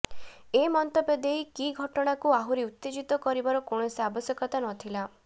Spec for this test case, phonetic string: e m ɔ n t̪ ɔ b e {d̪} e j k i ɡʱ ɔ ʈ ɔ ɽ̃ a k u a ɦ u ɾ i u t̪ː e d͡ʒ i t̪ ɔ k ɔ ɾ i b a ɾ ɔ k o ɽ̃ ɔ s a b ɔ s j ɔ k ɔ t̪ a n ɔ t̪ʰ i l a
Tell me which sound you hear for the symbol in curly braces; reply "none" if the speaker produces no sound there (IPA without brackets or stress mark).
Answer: d̪